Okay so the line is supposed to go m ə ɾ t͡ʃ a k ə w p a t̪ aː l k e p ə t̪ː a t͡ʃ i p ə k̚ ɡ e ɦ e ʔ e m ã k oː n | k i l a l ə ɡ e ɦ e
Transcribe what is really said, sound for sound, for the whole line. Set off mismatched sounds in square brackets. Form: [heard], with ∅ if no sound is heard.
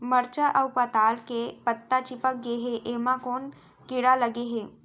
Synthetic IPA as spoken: m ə ɾ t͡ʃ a [ʔ] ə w p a t̪ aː l k e p ə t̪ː a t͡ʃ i p ə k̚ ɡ e ɦ e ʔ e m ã k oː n | k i [ɽ] a l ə ɡ e ɦ e

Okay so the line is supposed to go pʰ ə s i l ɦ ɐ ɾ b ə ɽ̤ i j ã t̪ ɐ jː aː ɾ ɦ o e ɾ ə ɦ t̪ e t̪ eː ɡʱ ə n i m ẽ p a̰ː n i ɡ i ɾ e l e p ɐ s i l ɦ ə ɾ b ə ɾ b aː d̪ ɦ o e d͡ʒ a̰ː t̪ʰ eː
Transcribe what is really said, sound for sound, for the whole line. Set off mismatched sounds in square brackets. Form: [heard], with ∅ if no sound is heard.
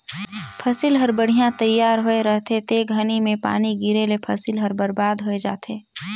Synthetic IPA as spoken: pʰ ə s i l ɦ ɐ ɾ b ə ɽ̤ i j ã t̪ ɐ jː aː ɾ ɦ o e ɾ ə ɦ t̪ e t̪ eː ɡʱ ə n i m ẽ p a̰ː n i ɡ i ɾ e l e [pʰ] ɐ s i l ɦ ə ɾ b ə ɾ b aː d̪ ɦ o e d͡ʒ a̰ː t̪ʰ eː

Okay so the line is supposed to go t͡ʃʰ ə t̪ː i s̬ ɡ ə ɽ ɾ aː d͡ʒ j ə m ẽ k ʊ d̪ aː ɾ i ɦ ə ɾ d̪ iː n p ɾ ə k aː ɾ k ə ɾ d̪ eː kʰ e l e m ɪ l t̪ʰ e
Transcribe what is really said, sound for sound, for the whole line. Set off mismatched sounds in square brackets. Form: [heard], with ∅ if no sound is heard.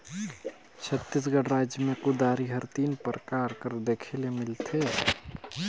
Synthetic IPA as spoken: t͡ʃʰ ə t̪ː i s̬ ɡ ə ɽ ɾ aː d͡ʒ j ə m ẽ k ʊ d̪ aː ɾ i ɦ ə ɾ [t̪] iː n p ɾ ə k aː ɾ k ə ɾ d̪ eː kʰ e l e m ɪ l t̪ʰ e

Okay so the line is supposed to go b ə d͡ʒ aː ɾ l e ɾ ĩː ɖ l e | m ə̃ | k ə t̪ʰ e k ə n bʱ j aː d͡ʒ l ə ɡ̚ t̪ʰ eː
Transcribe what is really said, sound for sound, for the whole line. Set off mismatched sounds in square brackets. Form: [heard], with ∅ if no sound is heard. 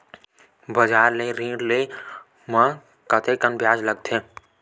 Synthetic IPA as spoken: b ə d͡ʒ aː ɾ l e ɾ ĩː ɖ l e | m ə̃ | k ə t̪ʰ e k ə n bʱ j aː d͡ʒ l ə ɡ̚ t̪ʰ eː

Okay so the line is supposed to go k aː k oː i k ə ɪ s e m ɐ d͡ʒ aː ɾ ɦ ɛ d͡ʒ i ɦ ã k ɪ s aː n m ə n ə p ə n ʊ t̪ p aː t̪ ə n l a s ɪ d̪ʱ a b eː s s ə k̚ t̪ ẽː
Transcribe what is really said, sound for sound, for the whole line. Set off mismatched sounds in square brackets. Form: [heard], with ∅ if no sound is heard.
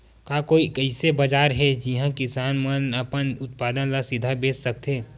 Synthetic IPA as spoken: k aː k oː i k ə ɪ s e [b] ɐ d͡ʒ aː ɾ ɦ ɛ d͡ʒ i ɦ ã k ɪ s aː n m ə n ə p ə n ʊ t̪ p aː [d̪] ə n l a s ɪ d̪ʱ a b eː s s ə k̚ t̪ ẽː

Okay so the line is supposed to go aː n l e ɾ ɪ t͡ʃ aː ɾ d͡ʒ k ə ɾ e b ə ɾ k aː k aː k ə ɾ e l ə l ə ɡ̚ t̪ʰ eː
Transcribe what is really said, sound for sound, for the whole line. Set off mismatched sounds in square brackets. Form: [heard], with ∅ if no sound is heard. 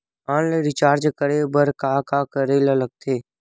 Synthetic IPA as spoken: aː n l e ɾ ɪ t͡ʃ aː ɾ d͡ʒ k ə ɾ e b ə ɾ k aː k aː k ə ɾ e l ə l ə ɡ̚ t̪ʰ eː

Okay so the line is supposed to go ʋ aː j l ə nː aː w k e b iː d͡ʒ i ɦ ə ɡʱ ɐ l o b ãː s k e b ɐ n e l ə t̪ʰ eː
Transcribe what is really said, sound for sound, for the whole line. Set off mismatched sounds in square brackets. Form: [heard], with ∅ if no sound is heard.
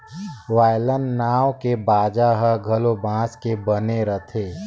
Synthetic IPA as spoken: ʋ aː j l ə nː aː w k e b [aː] d͡ʒ [a] ɦ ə ɡʱ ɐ l o b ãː s k e b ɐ n e [ɾ] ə t̪ʰ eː

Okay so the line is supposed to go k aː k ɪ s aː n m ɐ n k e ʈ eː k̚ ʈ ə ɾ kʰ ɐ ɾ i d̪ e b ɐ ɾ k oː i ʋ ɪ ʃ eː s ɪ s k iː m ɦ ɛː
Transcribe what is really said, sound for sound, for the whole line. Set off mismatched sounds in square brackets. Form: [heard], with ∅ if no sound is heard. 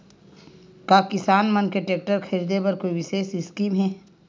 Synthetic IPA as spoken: k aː k ɪ s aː n m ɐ n k e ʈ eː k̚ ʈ ə ɾ kʰ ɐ ɾ i d̪ e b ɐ ɾ k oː i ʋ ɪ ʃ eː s ɪ s k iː m ɦ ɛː

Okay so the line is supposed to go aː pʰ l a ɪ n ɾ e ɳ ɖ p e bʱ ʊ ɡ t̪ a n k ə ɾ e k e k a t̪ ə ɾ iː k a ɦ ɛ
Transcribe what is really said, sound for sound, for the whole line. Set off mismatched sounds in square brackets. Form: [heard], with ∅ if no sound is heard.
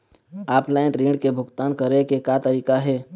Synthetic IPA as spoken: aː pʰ l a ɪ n ɾ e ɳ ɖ [k] e bʱ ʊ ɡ t̪ a n k ə ɾ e k e k a t̪ ə ɾ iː k a ɦ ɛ

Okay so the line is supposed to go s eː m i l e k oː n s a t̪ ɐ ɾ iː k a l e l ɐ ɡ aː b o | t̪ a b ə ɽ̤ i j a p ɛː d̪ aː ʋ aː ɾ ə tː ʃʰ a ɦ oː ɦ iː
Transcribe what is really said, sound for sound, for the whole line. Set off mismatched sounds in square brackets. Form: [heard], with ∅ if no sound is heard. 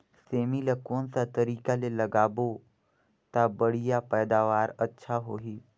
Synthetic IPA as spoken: s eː m i l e k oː n s a t̪ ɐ ɾ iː k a l e l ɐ ɡ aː b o | t̪ a b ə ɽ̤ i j a p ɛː d̪ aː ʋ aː ɾ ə tː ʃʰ a ɦ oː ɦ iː

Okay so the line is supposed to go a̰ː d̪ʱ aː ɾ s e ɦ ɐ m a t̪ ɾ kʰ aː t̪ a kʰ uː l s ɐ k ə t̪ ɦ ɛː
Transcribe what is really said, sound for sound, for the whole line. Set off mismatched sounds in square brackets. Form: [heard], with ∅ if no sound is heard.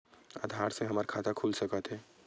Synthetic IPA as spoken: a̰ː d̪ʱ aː ɾ s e ɦ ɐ m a [∅] ɾ kʰ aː t̪ a kʰ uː l s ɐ k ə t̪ ɦ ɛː

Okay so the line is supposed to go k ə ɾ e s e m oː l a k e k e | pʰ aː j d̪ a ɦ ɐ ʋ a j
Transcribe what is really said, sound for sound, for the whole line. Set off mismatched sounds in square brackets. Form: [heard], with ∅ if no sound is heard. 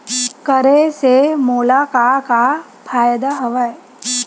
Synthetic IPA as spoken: k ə ɾ e s e m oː l a k [a] k [a] | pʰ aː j d̪ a ɦ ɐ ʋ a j

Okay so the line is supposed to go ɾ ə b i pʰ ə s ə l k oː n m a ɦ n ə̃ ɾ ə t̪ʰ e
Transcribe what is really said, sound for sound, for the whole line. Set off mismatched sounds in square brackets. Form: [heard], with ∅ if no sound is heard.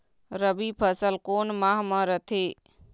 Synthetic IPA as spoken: ɾ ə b i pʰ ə s ə l k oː n m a ɦ [m] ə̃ ɾ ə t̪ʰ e

